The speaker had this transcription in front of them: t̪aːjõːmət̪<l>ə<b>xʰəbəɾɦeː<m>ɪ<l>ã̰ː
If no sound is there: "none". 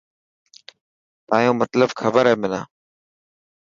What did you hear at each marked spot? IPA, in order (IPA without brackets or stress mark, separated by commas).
l, b, m, l